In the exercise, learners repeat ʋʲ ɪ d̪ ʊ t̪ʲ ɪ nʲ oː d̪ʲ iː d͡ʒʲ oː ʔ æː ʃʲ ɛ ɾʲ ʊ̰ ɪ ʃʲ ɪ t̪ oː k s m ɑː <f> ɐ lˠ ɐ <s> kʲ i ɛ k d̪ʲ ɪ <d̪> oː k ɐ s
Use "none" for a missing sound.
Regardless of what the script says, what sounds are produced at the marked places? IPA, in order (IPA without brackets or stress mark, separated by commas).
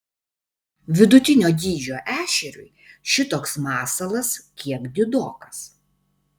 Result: s, s, d̪